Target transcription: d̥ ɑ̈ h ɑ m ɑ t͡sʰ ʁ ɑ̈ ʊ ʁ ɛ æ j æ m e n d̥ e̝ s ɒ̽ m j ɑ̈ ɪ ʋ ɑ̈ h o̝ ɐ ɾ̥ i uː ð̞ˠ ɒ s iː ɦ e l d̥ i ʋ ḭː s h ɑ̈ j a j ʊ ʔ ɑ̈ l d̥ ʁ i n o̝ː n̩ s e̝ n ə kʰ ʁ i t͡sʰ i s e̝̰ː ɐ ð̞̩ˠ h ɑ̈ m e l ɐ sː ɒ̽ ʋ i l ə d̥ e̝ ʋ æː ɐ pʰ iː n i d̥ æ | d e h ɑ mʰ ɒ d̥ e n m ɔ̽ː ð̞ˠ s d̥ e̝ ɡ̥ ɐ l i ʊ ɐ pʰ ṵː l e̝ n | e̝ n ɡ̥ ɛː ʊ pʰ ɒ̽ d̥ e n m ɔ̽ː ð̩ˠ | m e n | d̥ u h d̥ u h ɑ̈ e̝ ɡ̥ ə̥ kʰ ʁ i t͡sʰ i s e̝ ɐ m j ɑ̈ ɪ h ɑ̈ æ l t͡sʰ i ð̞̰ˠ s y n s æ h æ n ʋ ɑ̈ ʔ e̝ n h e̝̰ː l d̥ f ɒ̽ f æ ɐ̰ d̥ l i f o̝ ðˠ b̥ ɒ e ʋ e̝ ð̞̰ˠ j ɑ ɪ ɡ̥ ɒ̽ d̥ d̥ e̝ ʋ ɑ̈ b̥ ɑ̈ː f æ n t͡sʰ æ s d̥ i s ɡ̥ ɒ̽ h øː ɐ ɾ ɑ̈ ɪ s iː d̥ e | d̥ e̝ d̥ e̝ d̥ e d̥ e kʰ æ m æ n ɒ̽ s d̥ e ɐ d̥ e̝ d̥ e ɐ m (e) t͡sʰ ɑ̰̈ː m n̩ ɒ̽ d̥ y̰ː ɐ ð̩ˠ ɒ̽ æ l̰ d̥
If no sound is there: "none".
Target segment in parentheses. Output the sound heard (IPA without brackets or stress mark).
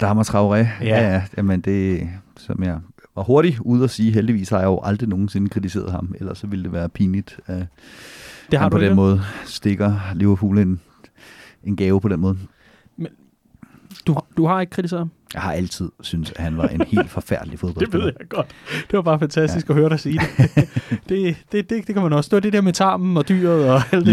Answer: e